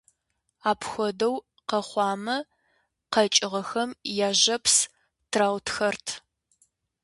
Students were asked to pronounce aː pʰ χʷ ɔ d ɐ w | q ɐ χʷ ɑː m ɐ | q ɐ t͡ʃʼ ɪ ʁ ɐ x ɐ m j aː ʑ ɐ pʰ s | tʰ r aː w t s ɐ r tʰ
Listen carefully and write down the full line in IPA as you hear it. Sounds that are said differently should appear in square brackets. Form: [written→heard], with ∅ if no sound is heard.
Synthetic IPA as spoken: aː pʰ [χʷ→xʷ] ɔ d ɐ w | q ɐ χʷ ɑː m ɐ | q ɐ t͡ʃʼ ɪ ʁ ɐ x ɐ m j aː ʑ ɐ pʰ s | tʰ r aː w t [s→x] ɐ r tʰ